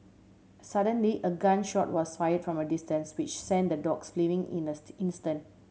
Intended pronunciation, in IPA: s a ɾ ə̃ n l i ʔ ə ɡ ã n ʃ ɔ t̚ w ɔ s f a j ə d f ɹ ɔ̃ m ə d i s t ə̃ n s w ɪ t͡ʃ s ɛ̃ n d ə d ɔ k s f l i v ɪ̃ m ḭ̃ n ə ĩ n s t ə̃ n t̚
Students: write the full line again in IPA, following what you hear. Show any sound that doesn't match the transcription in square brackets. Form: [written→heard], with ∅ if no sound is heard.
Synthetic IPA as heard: s a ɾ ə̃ n l i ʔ ə ɡ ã n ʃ ɔ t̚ w ɔ s f a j ə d f ɹ ɔ̃ m ə d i s t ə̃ n s w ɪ t͡ʃ s ɛ̃ n d ə d ɔ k s f l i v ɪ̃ [m→ŋ] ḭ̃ n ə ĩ n s t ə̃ n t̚

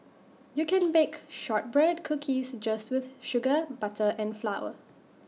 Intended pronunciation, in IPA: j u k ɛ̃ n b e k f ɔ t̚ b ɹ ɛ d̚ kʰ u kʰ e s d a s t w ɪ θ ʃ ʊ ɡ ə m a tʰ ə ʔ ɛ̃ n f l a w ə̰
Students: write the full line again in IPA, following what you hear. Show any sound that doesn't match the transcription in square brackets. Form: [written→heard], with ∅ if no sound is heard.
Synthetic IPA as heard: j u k ɛ̃ n b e k [f→ʃ] ɔ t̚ b ɹ ɛ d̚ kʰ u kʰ [e→i] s [d→d͡ʒ] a s t w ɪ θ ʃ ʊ ɡ ə [m→b] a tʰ ə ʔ ɛ̃ n f l a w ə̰

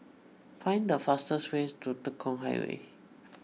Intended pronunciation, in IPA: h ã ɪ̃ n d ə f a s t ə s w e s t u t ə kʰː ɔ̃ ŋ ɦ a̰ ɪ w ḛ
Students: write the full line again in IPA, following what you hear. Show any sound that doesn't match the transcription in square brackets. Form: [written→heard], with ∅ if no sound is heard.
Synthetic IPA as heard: [h→f] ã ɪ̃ n d ə f a s t ə s w e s t u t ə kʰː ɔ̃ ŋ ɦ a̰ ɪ w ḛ

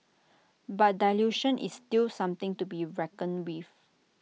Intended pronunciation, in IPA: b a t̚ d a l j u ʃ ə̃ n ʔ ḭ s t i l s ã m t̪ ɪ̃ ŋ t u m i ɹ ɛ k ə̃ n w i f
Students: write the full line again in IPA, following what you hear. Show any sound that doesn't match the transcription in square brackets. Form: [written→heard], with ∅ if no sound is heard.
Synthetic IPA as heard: b a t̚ d a l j u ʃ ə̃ n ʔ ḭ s t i l s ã m t̪ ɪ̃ ŋ t u [m→b] i ɹ ɛ k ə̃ n w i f

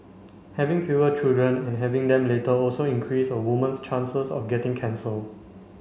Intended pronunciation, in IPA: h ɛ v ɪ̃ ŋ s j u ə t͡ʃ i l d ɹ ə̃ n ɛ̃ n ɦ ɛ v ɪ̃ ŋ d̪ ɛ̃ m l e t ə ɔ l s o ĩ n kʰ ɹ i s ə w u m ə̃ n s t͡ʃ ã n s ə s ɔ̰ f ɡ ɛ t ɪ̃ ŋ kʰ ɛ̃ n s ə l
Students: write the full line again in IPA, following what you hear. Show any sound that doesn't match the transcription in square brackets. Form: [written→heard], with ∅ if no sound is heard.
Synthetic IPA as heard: h ɛ v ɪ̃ ŋ [s→f] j u ə t͡ʃ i l d ɹ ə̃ n ɛ̃ n ɦ ɛ v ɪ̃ ŋ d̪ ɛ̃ m l e t ə ɔ l s o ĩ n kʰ ɹ i s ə w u m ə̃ n s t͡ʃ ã n s ə s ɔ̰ f ɡ ɛ t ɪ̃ ŋ kʰ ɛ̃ n s ə l

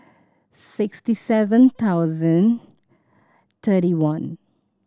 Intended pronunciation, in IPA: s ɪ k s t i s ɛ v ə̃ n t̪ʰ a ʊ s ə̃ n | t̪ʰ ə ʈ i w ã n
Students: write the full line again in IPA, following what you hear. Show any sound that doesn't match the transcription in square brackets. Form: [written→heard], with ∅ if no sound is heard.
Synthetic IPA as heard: s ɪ k s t i s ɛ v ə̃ n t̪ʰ a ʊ [s→z] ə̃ n | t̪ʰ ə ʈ i w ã n

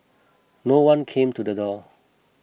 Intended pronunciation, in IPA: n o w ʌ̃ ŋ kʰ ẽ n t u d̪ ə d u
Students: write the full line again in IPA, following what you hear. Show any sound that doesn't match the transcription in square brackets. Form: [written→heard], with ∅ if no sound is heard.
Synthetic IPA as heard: n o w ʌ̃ [ŋ→n] kʰ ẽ [n→m] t u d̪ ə d [u→ɔ]

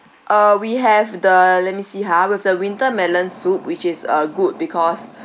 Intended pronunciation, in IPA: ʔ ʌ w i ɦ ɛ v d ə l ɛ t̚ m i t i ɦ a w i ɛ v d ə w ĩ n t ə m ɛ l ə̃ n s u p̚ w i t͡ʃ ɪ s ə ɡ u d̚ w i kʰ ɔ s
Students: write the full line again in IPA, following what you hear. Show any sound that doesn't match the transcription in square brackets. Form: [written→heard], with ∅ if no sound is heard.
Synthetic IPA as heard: ʔ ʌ w i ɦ ɛ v d ə l ɛ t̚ m i [t→s] i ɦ a w i ɛ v d ə w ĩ n t ə m ɛ l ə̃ n s u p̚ w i t͡ʃ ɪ s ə ɡ u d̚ [w→b] i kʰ ɔ s

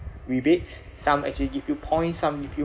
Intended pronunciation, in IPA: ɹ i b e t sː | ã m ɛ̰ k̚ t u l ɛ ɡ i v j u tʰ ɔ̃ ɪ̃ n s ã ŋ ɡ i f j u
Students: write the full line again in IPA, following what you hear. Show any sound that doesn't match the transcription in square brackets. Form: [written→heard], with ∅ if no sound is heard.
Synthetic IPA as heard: ɹ i b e t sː | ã m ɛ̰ k̚ [t→t͡ʃ] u l [ɛ→i] ɡ i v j u [tʰ→pʰ] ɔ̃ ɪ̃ n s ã [ŋ→m] ɡ i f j u

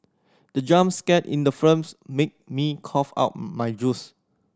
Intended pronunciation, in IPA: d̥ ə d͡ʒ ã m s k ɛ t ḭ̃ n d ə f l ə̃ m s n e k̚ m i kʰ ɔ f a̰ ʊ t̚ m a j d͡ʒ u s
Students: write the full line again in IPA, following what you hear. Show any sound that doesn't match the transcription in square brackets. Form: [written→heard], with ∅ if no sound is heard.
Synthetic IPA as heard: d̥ ə d͡ʒ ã m s k ɛ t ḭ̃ n d ə f [l→ɹ] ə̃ m s [n→m] e k̚ m i kʰ ɔ f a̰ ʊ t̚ m a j d͡ʒ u s

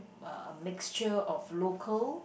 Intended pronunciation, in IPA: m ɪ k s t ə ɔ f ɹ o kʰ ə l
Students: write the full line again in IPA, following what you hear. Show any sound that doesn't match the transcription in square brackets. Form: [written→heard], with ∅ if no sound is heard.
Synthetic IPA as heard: m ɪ k s [t→t͡ʃ] ə ɔ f [ɹ→l] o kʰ ə l

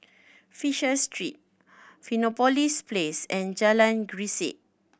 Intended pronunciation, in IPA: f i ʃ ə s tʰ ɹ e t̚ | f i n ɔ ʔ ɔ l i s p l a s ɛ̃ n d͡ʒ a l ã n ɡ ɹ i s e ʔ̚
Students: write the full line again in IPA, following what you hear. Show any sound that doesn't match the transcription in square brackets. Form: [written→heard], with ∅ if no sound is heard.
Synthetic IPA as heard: f i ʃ ə s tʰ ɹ [e→i] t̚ | f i n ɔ [ʔ→p] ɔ l i s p l [a→e] s ɛ̃ n d͡ʒ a l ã n ɡ ɹ i s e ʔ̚

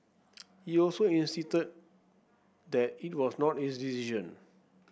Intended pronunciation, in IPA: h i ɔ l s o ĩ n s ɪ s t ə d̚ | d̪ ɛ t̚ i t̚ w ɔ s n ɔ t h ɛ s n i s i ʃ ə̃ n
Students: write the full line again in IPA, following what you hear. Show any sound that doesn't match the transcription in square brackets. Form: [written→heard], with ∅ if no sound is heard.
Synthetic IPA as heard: h i ɔ l s o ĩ n s [ɪ→i] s t ə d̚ | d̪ ɛ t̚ i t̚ w ɔ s n ɔ t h [ɛ→i] s [n→d] i s i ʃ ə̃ n

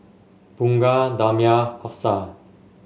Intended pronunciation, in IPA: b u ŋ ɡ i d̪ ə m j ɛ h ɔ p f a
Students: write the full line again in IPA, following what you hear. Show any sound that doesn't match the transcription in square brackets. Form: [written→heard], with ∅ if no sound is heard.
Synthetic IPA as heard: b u ŋ ɡ [i→a] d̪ [ə→a] m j [ɛ→a] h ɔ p [f→s] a

